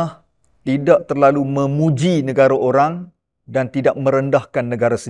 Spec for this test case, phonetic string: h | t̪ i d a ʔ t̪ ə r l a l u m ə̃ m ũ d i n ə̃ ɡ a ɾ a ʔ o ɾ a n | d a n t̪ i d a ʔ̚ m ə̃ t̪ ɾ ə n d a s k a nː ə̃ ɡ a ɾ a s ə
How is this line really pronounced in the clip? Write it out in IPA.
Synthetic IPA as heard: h | t̪ i d a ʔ t̪ ə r l a l u m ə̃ m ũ d͡ʒ i n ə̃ ɡ a ɾ a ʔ o ɾ a ŋ | d a n t̪ i d a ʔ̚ m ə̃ ɾ ə n d a h k a nː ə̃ ɡ a ɾ a s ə